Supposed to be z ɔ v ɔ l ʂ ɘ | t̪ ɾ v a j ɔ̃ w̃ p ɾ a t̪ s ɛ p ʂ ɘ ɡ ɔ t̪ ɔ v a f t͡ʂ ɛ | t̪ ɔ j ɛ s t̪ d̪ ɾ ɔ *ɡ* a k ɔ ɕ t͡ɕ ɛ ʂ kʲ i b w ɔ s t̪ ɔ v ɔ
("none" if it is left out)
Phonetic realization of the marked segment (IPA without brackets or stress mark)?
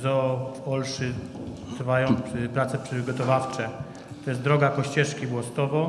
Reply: ɡ